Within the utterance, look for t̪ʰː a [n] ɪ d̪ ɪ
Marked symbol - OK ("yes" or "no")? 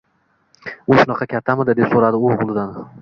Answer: no